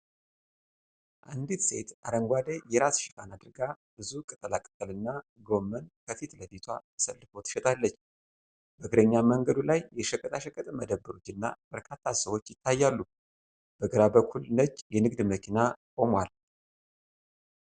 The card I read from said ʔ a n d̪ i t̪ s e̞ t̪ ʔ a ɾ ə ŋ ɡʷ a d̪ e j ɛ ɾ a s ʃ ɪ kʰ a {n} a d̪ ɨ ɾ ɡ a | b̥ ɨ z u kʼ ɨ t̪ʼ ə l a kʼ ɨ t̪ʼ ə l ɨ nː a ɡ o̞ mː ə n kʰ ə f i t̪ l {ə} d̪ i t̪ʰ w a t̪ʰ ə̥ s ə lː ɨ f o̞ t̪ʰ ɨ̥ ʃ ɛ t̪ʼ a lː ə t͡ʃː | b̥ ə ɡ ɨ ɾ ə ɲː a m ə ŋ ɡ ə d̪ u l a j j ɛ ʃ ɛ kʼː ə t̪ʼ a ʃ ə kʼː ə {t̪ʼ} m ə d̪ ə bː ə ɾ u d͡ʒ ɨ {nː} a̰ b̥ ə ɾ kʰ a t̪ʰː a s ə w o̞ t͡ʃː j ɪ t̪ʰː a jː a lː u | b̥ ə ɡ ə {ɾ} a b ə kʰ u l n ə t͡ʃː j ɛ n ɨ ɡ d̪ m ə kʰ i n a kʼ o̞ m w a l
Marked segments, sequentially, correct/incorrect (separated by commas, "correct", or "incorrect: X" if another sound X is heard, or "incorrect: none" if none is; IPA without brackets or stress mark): correct, correct, correct, correct, correct